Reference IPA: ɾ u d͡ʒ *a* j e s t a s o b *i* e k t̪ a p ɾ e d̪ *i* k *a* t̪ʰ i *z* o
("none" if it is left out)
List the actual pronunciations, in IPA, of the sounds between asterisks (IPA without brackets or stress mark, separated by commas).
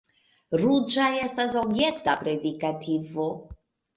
a, j, i, a, v